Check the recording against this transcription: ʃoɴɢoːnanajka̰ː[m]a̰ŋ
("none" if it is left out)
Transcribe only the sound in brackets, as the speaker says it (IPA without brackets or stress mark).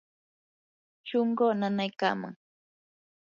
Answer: m